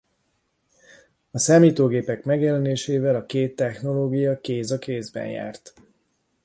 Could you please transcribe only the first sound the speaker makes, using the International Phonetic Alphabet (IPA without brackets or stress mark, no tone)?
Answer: ɒ